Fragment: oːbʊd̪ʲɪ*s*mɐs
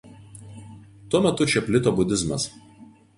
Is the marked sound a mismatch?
yes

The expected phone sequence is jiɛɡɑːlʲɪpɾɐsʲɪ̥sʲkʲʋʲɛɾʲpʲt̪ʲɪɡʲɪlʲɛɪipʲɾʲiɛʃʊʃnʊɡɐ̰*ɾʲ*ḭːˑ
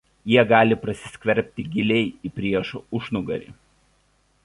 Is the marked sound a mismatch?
no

